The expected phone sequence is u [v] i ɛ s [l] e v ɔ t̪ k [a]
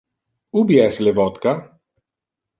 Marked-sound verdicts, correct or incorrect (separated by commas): incorrect, correct, correct